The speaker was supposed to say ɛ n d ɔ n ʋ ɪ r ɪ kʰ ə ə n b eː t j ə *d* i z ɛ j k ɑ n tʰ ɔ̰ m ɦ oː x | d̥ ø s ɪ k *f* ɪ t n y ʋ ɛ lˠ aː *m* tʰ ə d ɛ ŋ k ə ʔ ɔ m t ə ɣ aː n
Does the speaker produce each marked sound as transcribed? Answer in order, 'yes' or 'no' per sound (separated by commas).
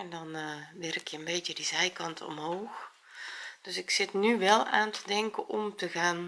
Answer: yes, no, no